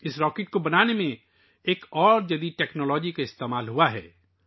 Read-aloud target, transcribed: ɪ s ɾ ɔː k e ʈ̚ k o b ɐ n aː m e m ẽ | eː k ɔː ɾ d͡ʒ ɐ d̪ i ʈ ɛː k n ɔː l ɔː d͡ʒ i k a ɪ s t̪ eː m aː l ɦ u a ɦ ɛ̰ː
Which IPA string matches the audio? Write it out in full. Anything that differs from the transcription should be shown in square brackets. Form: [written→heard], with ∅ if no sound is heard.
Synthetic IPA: ɪ s ɾ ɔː k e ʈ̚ k o b ɐ n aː [m→n] e m ẽ | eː k ɔː ɾ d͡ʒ ɐ d̪ i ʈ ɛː k n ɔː l ɔː d͡ʒ i k a ɪ s t̪ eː m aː l ɦ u a ɦ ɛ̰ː